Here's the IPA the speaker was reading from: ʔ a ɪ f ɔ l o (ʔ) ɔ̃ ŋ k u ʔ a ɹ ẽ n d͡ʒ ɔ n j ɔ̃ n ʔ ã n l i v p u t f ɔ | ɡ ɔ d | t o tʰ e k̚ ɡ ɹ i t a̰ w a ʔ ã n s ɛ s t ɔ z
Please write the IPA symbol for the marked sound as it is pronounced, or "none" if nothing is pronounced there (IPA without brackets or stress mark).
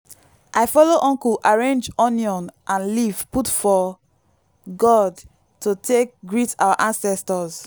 ʔ